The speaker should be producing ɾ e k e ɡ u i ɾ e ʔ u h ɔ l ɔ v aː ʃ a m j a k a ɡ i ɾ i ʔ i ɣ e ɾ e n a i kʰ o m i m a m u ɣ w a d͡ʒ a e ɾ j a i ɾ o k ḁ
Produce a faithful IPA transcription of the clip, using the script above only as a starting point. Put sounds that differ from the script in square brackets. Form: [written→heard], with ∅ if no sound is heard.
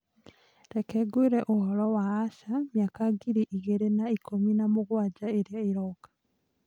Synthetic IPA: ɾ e k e ɡ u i ɾ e ʔ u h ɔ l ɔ [v→w] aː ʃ a m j a k a ɡ i ɾ i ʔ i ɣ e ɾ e n a i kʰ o m i [m→n] a m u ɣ w a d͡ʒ a e ɾ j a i ɾ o k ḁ

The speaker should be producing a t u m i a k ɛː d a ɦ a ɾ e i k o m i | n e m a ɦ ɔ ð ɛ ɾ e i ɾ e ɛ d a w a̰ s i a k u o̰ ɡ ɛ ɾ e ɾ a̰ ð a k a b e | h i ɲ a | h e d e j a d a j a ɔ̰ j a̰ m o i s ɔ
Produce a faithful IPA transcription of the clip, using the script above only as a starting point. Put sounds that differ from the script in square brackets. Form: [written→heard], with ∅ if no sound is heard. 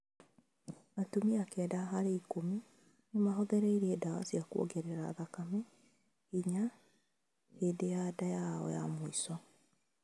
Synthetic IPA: a t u m i a k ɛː d a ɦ a ɾ e i k o m i | n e m a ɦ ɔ ð ɛ ɾ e i ɾ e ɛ d a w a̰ s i a k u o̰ ɡ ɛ ɾ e ɾ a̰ ð a k a [b→m] e | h i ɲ a | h e d e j a d a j a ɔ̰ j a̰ m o i s ɔ

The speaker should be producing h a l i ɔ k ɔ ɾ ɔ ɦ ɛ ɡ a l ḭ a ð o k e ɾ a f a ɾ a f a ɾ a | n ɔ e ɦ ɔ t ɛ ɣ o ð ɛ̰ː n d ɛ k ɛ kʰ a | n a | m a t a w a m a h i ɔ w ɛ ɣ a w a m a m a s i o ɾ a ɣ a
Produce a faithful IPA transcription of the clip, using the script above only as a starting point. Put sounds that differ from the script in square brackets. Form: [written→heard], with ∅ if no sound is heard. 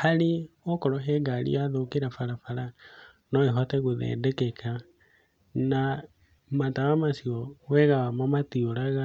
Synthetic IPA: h a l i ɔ k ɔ ɾ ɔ ɦ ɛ ɡ a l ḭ a ð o k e ɾ a f a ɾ a f a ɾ a | n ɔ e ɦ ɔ t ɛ ɣ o ð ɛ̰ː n d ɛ k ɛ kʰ a | n a | m a t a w a m a [h→s] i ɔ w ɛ ɣ a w a m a m a [s→t] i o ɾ a ɣ a

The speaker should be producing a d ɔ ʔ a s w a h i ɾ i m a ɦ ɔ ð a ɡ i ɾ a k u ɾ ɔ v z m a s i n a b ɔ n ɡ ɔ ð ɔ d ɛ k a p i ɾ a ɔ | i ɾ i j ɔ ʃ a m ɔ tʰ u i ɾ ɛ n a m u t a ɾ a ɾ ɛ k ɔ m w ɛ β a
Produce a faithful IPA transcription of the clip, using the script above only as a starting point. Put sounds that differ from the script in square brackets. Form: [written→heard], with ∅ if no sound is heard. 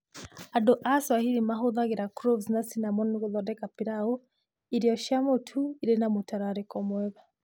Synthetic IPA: a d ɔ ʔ a s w a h i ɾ i m a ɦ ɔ ð a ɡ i ɾ a k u ɾ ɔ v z [m→n] a s i n a [b→m] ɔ n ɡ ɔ ð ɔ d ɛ k a p i ɾ a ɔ | i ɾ i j ɔ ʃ a m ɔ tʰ u i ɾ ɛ n a m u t a ɾ a ɾ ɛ k ɔ m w ɛ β a

